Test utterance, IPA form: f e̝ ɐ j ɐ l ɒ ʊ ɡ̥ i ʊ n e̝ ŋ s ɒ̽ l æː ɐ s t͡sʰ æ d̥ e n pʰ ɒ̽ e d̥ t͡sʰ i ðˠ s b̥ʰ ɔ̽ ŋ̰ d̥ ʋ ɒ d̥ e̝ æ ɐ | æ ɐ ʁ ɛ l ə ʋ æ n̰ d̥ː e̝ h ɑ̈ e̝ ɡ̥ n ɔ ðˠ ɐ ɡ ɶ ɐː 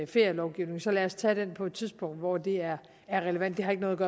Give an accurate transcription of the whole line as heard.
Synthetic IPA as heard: f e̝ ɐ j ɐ l ɒ ʊ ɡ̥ i ʊ n e̝ ŋ s ɒ̽ l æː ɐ s t͡sʰ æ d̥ e n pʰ ɒ̽ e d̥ t͡sʰ i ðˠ s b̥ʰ ɔ̽ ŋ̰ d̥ ʋ ɒ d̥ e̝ æ ɐ | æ ɐ ʁ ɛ l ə ʋ æ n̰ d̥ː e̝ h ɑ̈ e̝ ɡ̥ n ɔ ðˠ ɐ ɡ ɶ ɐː